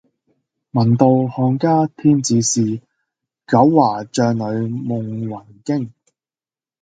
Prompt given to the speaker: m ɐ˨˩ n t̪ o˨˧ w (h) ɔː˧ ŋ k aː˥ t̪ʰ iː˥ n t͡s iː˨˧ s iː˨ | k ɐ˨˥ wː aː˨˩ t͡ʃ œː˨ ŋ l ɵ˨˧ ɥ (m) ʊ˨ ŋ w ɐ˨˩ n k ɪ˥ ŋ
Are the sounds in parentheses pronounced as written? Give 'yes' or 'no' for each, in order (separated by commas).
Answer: yes, yes